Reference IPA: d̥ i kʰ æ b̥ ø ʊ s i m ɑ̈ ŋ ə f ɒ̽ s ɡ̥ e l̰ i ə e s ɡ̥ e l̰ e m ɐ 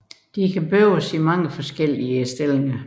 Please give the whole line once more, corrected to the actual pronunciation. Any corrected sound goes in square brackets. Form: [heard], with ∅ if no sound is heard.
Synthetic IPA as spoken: d̥ i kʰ æ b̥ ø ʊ s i m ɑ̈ ŋ ə f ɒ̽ s ɡ̥ e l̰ i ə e s [d̥] e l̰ e [ŋ] ɐ